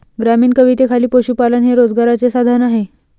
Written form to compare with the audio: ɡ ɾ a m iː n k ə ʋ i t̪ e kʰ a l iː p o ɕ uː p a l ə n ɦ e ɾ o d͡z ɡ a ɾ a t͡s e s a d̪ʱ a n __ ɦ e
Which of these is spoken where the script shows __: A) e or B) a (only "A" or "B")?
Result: B